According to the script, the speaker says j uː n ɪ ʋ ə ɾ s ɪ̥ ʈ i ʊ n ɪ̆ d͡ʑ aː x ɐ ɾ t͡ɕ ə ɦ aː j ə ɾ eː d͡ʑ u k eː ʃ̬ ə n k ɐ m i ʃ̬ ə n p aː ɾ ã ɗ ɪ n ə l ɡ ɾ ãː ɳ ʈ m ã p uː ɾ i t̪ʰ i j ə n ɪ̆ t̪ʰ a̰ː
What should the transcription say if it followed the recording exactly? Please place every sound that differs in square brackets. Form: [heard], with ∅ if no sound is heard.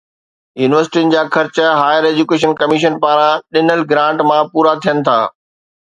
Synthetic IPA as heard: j uː n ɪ ʋ ə ɾ s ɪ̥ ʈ i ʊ n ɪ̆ d͡ʑ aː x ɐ ɾ t͡ɕ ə ɦ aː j ə ɾ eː d͡ʑ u k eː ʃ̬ ə n k ɐ m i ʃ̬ ə n p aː ɾ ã ɗ ɪ n ə l ɡ ɾ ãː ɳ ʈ m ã p uː ɾ [a] t̪ʰ i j ə n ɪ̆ t̪ʰ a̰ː